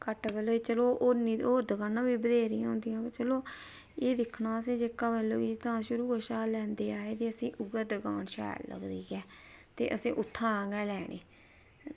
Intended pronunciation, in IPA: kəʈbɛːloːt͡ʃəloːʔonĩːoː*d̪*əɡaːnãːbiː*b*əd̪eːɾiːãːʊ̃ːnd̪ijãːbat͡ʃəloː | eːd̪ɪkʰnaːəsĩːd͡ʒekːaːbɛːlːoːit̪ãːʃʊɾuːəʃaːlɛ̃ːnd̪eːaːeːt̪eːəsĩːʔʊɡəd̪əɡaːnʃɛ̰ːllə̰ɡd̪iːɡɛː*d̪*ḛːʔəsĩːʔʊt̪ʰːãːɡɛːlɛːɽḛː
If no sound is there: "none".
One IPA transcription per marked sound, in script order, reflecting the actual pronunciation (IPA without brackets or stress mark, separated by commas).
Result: d̪, b, t̪